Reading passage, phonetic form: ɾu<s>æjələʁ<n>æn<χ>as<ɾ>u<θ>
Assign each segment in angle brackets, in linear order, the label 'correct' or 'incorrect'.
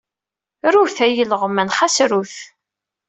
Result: incorrect: θ, incorrect: m, correct, correct, correct

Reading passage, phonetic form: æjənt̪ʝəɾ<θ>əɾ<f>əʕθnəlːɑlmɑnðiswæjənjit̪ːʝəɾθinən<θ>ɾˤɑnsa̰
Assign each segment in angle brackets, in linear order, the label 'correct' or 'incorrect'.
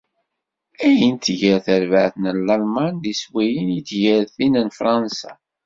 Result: correct, incorrect: v, incorrect: f

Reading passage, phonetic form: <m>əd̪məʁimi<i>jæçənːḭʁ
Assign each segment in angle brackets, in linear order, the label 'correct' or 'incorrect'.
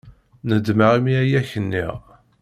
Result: incorrect: n, incorrect: æ

